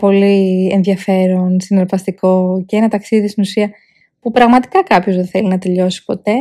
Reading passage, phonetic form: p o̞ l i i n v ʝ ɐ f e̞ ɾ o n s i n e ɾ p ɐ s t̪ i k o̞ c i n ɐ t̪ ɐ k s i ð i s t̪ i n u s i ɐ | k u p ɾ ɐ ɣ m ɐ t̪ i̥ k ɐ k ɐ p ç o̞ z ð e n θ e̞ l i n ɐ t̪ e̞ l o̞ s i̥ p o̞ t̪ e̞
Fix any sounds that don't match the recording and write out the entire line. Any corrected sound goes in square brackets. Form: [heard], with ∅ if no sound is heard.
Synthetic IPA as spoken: p o̞ l i [e] n [ð] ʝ ɐ f e̞ ɾ o n s i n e ɾ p ɐ s t̪ i k o̞ c [e] n ɐ t̪ ɐ k s i ð i s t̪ i n u s i ɐ | [p] u p ɾ ɐ ɣ m ɐ t̪ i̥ k ɐ k ɐ p ç o̞ z ð e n θ e̞ l i n ɐ t̪ e̞ [ʎ] o̞ s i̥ p o̞ t̪ e̞